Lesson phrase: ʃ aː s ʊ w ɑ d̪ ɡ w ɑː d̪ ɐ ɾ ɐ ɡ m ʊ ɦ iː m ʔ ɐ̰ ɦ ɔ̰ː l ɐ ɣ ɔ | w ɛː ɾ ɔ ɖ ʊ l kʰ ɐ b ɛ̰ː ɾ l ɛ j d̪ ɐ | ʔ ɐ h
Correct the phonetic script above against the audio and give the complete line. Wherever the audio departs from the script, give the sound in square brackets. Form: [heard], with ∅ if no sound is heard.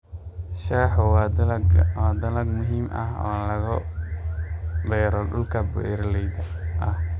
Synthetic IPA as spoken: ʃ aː [ħ] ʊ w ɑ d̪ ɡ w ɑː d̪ ɐ [l] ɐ ɡ m ʊ ɦ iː m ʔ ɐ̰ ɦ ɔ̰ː l ɐ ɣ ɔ | [b] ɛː ɾ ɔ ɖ ʊ l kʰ ɐ b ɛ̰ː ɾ l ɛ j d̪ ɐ | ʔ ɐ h